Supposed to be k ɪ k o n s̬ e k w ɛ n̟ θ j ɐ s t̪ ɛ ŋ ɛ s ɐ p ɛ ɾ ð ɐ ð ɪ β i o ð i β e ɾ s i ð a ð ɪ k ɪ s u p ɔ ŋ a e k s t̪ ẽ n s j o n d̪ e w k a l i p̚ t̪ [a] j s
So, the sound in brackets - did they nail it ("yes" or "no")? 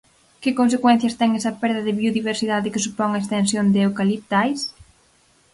yes